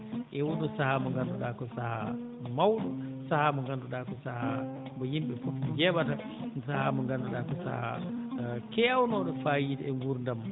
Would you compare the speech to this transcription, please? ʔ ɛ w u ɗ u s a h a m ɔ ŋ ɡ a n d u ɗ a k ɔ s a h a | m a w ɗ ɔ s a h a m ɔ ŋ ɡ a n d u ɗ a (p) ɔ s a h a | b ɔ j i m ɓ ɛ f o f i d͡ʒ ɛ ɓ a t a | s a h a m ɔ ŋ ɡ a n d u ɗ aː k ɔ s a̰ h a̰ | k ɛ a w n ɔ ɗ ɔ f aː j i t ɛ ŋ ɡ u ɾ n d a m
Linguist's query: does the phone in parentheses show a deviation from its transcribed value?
yes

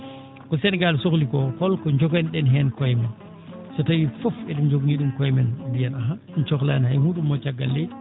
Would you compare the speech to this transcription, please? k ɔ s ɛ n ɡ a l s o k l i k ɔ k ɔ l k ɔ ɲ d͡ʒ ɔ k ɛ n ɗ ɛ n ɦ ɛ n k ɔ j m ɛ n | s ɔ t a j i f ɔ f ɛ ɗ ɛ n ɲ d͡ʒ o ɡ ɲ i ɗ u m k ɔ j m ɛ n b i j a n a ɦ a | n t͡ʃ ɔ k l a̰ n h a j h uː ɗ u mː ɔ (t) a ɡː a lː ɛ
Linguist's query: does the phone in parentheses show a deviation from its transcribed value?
yes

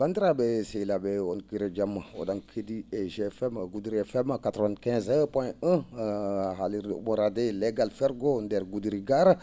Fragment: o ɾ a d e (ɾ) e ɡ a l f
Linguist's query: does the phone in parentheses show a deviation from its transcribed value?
yes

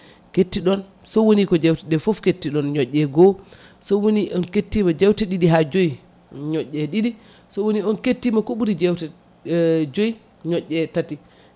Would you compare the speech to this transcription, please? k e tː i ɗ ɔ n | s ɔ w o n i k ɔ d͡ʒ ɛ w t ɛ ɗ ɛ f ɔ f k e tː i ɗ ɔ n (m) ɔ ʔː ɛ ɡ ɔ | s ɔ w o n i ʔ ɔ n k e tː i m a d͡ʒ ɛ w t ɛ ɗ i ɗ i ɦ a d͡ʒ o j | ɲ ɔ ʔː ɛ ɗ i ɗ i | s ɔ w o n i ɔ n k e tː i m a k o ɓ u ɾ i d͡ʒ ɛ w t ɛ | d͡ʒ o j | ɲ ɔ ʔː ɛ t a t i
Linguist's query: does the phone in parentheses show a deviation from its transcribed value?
yes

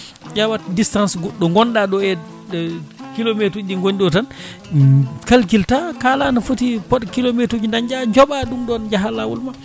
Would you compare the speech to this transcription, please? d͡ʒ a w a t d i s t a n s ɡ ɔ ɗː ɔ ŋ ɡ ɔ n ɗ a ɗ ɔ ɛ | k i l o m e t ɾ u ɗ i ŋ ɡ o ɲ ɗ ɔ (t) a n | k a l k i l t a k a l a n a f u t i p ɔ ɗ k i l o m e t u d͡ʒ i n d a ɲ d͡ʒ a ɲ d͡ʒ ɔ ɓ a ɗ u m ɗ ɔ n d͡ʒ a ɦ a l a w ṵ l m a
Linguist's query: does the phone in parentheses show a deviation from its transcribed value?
no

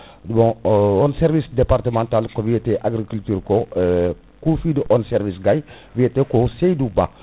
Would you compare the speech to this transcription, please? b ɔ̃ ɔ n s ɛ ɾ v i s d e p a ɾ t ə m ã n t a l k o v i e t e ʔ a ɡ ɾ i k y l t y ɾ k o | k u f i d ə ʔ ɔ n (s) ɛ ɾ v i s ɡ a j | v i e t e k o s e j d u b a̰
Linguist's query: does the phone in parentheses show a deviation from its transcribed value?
no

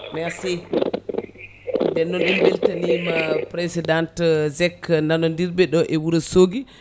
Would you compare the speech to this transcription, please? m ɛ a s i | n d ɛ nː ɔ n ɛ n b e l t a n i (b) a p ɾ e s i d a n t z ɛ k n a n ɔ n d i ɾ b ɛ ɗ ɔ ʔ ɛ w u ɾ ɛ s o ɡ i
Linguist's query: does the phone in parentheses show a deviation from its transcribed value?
yes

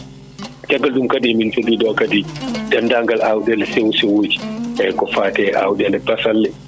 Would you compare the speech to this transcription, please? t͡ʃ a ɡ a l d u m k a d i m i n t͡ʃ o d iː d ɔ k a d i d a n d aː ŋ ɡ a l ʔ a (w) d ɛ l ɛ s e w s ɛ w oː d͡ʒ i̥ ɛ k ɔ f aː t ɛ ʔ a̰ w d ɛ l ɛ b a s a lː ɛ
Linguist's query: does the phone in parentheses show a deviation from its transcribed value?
no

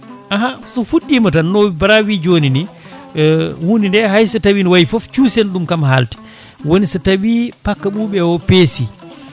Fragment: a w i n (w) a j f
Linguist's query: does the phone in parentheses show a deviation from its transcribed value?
no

